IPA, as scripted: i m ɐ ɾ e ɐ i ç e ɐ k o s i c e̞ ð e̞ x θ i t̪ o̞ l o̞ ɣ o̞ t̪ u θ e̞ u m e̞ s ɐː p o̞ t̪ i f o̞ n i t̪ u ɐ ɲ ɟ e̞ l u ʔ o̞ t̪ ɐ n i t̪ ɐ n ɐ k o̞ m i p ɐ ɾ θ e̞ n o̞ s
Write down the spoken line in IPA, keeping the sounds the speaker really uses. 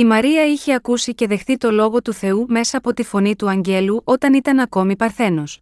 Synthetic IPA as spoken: i m ɐ ɾ i ɐ i ç e ɐ k u s i c e̞ ð e̞ x θ i t̪ o̞ l o̞ ɣ o̞ t̪ u θ e̞ u m e̞ s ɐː p o̞ t̪ i f o̞ n i t̪ u ɐ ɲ ɟ e̞ l u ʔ o̞ t̪ ɐ n i t̪ ɐ n ɐ k o̞ m i p ɐ ɾ θ e̞ n o̞ s